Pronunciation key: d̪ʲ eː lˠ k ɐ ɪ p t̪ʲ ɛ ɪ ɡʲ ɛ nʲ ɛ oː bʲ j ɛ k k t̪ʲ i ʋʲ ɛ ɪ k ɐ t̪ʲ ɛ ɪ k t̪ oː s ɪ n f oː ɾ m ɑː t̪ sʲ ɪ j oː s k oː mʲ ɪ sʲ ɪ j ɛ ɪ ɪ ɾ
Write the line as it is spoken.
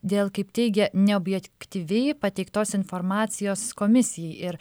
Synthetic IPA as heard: d̪ʲ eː lˠ k ɐ ɪ p t̪ʲ ɛ ɪ ɡʲ ɛ nʲ ɛ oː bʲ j ɛ k k t̪ʲ i ʋʲ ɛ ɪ p ɐ t̪ʲ ɛ ɪ k t̪ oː s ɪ n f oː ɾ m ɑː t̪ sʲ ɪ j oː s k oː mʲ ɪ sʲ ɪ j ɛ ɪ ɪ ɾ